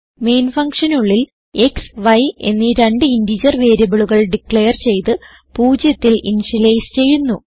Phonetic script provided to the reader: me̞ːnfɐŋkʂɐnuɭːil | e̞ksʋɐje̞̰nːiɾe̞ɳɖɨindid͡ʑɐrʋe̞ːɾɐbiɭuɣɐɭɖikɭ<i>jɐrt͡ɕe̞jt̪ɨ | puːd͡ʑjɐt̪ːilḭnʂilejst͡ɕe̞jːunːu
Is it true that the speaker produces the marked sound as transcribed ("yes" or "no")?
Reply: no